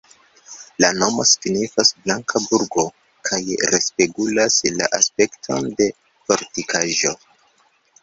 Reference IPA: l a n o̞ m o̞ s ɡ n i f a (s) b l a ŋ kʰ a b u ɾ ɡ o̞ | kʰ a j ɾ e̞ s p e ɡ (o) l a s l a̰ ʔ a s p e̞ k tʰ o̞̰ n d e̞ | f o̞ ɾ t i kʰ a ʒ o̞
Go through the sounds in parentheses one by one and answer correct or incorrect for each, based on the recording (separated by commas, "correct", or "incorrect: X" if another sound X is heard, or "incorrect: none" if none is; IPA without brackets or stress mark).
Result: correct, incorrect: u